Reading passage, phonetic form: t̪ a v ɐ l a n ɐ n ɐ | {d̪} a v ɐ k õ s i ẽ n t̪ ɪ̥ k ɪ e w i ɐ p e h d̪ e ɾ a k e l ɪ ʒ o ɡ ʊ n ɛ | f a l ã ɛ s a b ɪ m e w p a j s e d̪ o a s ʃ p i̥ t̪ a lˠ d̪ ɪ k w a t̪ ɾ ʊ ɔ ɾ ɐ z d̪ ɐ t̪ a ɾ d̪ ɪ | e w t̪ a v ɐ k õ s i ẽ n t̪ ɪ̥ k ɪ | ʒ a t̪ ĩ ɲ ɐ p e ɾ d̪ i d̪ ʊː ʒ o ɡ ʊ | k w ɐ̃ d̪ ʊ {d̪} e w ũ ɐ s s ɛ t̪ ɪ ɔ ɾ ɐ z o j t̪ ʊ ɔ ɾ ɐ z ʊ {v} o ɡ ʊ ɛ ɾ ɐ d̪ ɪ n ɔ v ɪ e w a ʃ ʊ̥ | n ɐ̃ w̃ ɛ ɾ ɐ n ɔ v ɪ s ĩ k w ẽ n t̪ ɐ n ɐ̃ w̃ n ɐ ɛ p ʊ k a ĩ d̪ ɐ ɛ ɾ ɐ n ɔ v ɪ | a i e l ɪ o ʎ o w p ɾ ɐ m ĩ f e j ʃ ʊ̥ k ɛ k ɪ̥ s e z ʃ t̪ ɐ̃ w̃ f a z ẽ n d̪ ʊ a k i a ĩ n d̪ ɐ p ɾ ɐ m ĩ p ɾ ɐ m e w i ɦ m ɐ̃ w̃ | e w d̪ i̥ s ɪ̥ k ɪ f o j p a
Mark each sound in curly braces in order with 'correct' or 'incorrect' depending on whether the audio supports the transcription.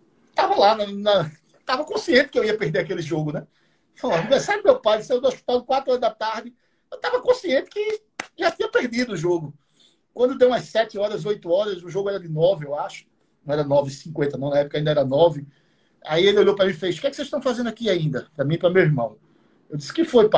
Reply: incorrect: t̪, correct, incorrect: ʒ

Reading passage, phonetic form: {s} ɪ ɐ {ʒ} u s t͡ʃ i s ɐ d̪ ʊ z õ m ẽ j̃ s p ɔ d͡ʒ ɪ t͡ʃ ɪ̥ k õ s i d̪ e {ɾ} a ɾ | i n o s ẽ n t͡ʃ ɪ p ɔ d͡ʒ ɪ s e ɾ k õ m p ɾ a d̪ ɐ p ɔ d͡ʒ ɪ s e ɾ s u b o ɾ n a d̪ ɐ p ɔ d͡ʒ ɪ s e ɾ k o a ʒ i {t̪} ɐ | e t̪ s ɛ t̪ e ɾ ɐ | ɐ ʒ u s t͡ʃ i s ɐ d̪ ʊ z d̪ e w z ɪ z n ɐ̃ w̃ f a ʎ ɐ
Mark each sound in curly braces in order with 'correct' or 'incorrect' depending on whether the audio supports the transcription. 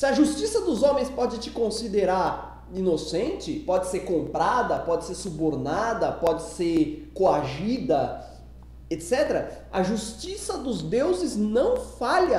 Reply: correct, correct, correct, incorrect: d̪

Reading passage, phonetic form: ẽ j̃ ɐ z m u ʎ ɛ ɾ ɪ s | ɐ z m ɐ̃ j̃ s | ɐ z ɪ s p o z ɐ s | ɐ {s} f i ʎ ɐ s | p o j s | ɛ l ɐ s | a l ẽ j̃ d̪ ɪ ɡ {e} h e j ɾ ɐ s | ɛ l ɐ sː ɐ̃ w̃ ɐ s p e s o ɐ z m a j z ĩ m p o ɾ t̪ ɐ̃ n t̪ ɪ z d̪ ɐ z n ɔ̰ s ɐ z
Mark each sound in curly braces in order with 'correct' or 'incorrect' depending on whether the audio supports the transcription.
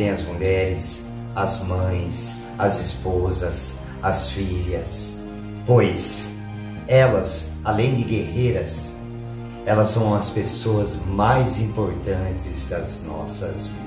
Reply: correct, correct

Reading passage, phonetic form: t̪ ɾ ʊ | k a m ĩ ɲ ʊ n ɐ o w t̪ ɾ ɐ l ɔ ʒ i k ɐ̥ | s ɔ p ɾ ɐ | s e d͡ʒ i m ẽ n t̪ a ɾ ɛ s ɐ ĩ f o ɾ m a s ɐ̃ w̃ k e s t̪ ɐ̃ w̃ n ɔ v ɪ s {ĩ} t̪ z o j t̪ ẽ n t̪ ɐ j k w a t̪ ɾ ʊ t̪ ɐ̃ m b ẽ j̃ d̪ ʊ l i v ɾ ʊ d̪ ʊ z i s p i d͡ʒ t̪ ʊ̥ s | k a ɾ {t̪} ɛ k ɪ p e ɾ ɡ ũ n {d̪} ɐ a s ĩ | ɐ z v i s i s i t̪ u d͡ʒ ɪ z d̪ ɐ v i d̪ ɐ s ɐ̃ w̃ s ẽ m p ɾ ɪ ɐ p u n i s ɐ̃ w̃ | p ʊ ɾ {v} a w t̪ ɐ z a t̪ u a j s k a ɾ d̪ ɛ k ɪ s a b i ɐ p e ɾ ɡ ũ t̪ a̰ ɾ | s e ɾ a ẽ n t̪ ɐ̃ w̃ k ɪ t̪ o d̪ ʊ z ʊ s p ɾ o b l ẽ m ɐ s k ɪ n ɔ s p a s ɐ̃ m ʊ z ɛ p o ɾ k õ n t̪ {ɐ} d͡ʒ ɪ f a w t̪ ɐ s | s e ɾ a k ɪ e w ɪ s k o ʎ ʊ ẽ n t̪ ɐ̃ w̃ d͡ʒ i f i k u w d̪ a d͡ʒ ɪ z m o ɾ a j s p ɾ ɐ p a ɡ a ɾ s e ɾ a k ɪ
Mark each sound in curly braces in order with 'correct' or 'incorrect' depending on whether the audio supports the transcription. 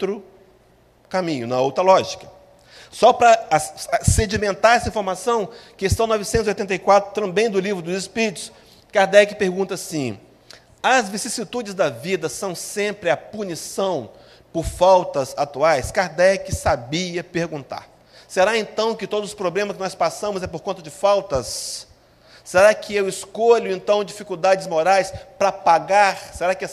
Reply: incorrect: ẽ, incorrect: d̪, incorrect: t̪, incorrect: f, correct

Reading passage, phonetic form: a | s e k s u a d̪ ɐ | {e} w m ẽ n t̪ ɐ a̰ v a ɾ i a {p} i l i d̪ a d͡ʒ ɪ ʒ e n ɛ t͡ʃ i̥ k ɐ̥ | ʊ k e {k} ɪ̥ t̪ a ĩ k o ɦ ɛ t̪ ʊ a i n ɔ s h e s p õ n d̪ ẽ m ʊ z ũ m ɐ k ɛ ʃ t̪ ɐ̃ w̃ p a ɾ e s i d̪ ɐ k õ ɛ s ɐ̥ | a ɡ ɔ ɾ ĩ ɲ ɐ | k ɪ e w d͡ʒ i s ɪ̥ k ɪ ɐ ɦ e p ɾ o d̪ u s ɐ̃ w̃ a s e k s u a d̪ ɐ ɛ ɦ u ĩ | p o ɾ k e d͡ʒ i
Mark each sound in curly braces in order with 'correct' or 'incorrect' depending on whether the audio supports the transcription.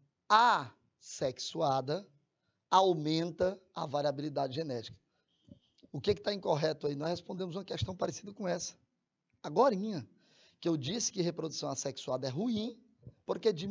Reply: incorrect: a, incorrect: b, correct

